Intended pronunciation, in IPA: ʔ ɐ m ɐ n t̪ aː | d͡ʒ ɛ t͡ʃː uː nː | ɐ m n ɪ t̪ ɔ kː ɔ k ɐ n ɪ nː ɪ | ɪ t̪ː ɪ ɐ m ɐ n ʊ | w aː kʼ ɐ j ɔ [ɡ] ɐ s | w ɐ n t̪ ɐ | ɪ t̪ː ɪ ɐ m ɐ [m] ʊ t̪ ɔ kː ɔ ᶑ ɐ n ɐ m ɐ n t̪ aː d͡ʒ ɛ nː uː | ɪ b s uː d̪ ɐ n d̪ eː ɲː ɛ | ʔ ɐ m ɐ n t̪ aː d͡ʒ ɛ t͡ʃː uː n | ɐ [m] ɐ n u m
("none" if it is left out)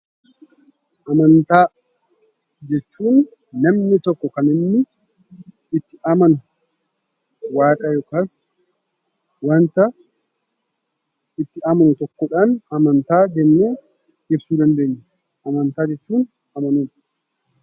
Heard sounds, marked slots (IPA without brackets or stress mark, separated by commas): k, n, m